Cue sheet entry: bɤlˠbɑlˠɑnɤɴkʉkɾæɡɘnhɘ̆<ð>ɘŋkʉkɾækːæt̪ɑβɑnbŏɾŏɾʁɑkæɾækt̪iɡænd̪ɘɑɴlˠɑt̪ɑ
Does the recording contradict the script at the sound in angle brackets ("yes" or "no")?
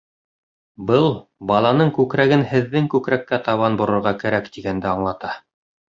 yes